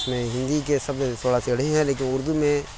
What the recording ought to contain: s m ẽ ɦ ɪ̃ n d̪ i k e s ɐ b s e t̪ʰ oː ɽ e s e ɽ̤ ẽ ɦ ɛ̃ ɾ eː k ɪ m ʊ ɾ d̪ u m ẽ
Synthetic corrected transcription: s m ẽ ɦ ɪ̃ n d̪ i k e s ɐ b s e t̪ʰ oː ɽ a s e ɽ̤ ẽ ɦ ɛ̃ l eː k ɪ n ʊ ɾ d̪ u m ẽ